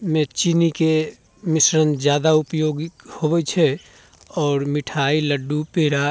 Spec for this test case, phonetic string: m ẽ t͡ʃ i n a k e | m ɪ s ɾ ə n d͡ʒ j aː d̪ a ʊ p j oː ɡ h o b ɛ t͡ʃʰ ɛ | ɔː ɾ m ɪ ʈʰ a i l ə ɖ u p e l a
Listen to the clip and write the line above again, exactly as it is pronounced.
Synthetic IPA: m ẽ t͡ʃ i n i k e | m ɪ s ɾ ə n d͡ʒ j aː d̪ a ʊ p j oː ɡ h o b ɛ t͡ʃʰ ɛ | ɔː ɾ m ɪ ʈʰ a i l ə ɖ u p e ɾ a

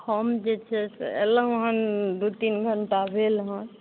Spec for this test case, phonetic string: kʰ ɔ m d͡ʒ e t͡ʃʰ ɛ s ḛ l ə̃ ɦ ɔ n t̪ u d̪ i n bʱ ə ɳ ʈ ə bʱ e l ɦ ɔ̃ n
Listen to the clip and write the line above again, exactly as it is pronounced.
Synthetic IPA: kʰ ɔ m d͡ʒ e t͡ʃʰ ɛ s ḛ l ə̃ ɦ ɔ n d̪ u t̪ i n ɡʱ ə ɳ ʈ a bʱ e l ɦ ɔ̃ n

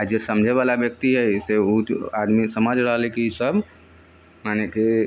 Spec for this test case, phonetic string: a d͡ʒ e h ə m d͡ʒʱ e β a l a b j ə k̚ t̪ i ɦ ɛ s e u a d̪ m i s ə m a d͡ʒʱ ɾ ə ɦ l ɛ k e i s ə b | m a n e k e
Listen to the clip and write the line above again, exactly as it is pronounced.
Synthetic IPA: a d͡ʒ e s ə m d͡ʒʱ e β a l a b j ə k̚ t̪ i ɦ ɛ s e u a d̪ m i s ə m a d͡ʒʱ ɾ ə ɦ l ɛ k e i s ə b | m a n e k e

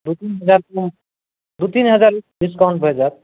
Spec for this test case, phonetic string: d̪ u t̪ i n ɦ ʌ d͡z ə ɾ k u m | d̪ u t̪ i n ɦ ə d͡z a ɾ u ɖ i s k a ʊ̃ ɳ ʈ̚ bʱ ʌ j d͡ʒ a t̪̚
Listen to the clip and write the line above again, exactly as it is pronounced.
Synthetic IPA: d̪ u t̪ i n ɦ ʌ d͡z a ɾ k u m | d̪ u t̪ i n ɦ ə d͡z a ɾ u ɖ i s k a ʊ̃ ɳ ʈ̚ bʱ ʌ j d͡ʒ a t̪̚

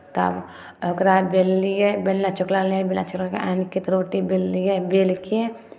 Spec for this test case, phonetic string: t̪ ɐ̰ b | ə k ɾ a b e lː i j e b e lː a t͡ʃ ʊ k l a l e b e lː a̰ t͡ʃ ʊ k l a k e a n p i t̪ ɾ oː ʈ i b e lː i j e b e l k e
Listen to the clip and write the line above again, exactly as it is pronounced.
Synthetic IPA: t̪ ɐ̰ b | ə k ɾ a b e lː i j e b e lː a t͡ʃ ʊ k l a l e b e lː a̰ t͡ʃ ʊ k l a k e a n k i t̪ ɾ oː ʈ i b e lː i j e b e l k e

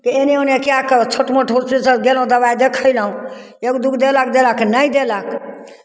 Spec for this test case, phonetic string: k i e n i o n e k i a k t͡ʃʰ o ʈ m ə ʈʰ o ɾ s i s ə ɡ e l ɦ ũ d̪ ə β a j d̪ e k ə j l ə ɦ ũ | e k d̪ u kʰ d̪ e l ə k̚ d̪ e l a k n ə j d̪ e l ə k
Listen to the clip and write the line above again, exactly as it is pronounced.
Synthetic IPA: k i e n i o n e k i a k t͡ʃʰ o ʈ m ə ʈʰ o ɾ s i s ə ɡ e l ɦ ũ d̪ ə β a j d̪ e kʰ ə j l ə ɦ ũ | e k d̪ u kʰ d̪ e l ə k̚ d̪ e l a k n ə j d̪ e l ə k

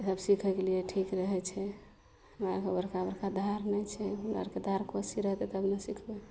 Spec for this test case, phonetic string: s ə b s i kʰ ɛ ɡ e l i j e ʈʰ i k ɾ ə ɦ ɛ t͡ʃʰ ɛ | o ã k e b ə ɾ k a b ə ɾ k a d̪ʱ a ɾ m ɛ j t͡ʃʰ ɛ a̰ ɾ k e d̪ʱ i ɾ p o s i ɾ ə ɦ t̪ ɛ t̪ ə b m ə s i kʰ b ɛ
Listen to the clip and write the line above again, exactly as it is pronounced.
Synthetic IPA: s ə b s i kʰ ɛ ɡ e l i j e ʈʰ i k ɾ ə ɦ ɛ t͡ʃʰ ɛ | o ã k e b ə ɾ k a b ə ɾ k a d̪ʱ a ɾ n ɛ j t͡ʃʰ ɛ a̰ ɾ k e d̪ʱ a ɾ k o s i ɾ ə ɦ t̪ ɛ t̪ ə b n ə s i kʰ b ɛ

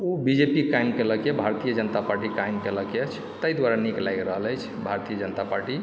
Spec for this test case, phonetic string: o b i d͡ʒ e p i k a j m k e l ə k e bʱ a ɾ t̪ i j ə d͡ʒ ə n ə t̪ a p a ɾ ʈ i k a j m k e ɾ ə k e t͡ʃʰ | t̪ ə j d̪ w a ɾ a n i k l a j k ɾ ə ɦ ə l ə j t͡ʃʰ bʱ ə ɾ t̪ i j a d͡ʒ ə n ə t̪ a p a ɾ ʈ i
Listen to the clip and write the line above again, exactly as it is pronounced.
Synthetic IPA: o b i d͡ʒ e p i k a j m k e l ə k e bʱ a ɾ t̪ i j ə d͡ʒ ə n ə t̪ a p a ɾ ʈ i k a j m k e l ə k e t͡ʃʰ | t̪ ə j d̪ w a ɾ a n i k l a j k ɾ ə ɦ ə l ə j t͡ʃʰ bʱ a ɾ t̪ i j ə d͡ʒ ə n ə t̪ a p a ɾ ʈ i

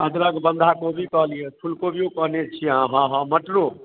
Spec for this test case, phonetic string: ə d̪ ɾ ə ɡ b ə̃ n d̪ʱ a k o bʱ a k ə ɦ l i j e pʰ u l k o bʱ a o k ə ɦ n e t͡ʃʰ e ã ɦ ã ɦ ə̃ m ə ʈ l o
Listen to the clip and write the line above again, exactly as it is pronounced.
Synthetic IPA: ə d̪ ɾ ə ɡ b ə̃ n d̪ʱ a k o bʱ i k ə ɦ l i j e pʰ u l k o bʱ i o k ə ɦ n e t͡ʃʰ i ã ɦ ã ɦ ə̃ m ə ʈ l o

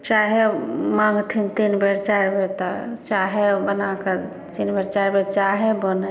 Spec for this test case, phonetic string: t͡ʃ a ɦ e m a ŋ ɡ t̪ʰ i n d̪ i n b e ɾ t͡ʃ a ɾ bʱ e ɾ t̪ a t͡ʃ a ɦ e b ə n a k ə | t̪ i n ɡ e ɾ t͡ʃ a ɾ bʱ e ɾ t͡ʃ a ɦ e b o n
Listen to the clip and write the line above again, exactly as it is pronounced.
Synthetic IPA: t͡ʃ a ɦ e m a ŋ ɡ t̪ʰ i n t̪ i n b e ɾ t͡ʃ a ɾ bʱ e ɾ t̪ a t͡ʃ a ɦ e b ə n a k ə | t̪ i n b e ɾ t͡ʃ a ɾ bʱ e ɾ t͡ʃ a ɦ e b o n

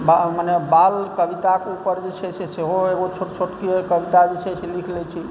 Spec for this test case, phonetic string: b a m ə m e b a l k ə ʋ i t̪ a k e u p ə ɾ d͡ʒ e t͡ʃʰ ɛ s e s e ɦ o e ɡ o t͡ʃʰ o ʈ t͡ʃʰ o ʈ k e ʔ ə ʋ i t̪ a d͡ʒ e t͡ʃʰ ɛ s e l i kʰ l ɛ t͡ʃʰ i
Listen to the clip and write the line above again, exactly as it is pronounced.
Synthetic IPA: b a m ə n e b a l k ə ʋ i t̪ a k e u p ə ɾ d͡ʒ e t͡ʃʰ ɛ s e s e ɦ o e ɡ o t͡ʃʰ o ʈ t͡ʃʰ o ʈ k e k ə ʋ i t̪ a d͡ʒ e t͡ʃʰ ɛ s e l i kʰ l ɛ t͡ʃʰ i

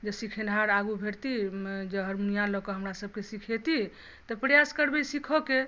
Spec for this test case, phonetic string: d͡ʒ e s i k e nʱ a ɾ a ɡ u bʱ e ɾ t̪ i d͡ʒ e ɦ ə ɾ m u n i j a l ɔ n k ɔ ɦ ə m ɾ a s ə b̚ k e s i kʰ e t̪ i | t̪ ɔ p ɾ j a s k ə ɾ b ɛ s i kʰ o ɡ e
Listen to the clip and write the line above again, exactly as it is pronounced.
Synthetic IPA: d͡ʒ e s i kʰ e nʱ a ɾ a ɡ u bʱ e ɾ t̪ i d͡ʒ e ɦ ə ɾ m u n i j a l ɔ k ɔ ɦ ə m ɾ a s ə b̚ k e s i kʰ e t̪ i | t̪ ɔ p ɾ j a s k ə ɾ b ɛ s i kʰ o k e

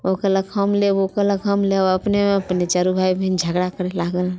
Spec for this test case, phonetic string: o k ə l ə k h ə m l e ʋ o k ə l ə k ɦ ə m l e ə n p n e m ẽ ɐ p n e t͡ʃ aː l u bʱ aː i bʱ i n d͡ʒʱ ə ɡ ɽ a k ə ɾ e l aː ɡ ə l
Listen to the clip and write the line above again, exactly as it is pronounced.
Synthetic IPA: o k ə l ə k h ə m l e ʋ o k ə l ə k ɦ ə m l e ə p n e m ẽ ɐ p n e t͡ʃ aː ɾ u bʱ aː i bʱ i n d͡ʒʱ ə ɡ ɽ a k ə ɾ e l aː ɡ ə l

